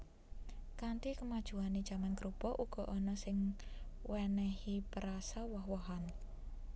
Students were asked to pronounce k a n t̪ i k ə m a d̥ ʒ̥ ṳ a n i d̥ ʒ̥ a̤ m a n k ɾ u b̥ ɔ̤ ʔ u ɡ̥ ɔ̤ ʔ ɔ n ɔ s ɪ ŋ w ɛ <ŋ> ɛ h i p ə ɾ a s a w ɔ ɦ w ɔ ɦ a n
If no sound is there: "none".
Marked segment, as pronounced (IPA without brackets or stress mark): n